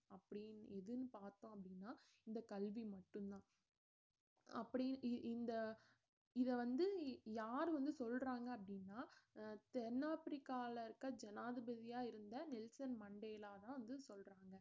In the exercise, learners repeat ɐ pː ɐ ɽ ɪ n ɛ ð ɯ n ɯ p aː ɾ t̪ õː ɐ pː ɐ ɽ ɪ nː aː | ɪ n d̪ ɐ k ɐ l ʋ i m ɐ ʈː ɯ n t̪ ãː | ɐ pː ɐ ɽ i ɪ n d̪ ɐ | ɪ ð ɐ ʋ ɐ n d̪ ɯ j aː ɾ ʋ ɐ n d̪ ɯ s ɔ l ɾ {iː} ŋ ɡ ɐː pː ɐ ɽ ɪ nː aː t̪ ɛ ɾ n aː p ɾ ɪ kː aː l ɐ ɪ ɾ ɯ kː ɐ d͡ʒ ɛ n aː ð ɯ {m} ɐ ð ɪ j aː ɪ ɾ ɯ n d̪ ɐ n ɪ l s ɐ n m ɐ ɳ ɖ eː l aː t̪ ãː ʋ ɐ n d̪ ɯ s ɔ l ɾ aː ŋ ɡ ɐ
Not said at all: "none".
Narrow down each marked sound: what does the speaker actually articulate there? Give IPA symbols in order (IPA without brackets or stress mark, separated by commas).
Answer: aː, b